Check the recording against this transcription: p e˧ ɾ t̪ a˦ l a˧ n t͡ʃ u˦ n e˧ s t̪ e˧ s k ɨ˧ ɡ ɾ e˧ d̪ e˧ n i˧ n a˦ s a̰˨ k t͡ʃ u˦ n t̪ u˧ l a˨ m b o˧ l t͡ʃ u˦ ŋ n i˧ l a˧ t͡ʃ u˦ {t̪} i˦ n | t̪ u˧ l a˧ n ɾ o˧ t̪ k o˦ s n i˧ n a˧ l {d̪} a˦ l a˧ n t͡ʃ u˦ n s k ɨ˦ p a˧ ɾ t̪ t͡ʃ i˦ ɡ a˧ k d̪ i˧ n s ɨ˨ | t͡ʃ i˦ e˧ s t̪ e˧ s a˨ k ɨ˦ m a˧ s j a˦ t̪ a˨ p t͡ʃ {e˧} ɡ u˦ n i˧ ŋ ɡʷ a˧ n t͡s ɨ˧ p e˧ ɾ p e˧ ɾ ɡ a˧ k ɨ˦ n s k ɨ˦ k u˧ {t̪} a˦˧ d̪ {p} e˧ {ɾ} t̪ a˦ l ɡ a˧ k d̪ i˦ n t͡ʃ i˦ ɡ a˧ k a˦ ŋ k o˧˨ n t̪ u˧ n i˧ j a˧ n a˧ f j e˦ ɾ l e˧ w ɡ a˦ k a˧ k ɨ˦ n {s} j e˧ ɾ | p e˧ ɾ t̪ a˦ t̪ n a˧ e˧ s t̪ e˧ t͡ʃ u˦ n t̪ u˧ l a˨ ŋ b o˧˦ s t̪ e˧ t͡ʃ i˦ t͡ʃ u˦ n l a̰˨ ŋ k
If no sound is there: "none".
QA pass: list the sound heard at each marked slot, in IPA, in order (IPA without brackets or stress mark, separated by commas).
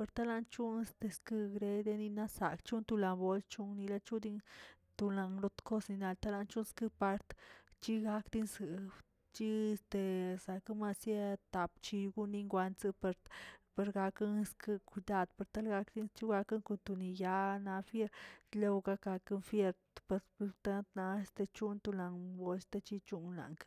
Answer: d̪, t̪, i˧, d̪, p, ɾ, f